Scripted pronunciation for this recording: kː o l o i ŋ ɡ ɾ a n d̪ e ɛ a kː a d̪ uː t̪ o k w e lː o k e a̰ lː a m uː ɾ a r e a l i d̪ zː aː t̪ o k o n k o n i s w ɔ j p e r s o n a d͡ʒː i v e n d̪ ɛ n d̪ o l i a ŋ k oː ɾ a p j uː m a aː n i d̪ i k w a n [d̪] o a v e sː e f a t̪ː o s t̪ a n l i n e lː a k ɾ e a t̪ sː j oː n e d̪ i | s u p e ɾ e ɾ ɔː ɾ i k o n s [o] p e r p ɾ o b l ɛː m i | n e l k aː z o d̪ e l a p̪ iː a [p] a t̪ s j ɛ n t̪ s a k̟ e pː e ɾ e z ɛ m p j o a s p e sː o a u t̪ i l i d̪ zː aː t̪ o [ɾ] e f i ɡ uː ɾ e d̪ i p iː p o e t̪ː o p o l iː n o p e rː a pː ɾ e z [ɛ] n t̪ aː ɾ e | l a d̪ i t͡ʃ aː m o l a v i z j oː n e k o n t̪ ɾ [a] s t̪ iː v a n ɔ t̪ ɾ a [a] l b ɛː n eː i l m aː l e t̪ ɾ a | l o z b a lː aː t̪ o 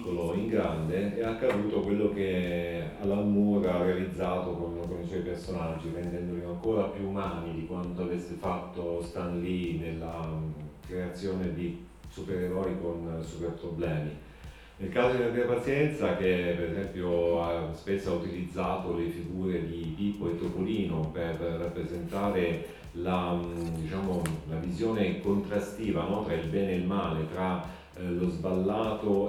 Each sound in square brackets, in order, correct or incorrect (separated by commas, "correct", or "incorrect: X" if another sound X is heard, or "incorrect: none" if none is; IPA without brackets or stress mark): incorrect: t̪, incorrect: u, correct, incorrect: l, incorrect: e, correct, incorrect: i